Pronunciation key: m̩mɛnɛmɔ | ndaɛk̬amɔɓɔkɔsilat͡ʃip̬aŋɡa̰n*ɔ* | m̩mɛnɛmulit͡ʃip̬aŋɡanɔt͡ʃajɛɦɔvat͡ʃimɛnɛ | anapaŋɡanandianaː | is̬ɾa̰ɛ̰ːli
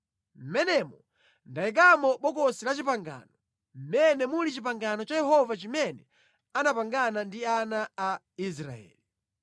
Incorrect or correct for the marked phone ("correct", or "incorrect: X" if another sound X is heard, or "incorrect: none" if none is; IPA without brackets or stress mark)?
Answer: correct